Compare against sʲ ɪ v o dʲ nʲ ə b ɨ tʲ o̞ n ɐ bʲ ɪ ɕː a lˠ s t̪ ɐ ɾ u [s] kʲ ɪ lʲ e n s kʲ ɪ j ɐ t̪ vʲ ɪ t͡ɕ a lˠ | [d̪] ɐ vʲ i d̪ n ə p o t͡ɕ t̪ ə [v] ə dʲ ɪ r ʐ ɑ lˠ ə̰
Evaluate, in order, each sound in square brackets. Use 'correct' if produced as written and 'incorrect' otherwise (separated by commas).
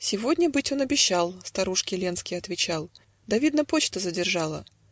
incorrect, correct, incorrect